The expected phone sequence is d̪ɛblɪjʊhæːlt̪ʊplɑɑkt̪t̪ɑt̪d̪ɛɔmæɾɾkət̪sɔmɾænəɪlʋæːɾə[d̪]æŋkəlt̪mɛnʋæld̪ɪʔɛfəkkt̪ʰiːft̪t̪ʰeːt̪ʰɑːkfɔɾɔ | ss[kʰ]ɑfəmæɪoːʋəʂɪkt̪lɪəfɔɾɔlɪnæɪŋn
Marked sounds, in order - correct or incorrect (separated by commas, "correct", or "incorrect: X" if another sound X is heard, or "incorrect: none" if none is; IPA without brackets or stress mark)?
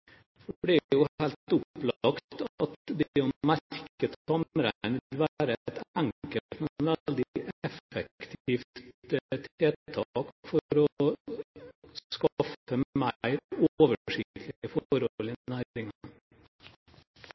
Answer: incorrect: t̪, incorrect: k